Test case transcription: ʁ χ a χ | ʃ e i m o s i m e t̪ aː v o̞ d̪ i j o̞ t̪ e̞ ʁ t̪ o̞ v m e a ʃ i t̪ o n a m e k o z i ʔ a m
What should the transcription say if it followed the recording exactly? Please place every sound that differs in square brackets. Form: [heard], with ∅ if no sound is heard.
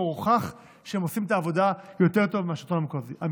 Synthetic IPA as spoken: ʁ χ a χ | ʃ e [e] m o s i m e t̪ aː v o̞ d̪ [a] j o̞ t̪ e̞ ʁ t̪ o̞ v m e a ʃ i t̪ o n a m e k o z i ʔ a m